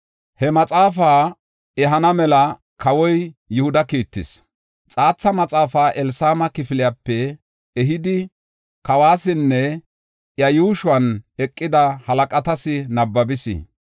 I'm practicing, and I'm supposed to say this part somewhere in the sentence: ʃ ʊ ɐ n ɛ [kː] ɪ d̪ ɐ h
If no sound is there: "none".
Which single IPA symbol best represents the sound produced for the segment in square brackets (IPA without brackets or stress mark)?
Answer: kʼː